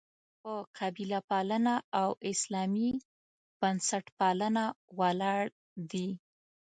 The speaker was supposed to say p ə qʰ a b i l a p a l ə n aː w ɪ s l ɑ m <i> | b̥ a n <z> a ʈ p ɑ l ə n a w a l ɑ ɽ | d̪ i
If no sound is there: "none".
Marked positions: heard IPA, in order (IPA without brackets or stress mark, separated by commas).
i, s